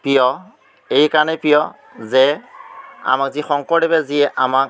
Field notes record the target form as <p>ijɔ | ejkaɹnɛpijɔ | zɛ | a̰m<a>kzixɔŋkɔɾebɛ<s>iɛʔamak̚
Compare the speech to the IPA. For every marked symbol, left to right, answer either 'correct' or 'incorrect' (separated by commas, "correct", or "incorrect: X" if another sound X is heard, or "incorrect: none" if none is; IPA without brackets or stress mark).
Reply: correct, correct, incorrect: z